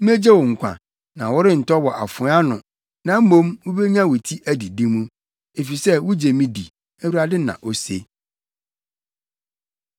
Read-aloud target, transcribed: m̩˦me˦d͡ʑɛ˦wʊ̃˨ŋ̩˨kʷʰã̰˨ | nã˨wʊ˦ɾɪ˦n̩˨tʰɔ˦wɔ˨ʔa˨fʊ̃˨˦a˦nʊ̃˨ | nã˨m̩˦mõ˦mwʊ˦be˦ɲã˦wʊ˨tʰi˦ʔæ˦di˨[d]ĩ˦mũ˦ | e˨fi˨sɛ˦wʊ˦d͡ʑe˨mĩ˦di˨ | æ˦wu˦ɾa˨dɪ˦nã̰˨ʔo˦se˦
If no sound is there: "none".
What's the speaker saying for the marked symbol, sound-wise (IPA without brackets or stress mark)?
d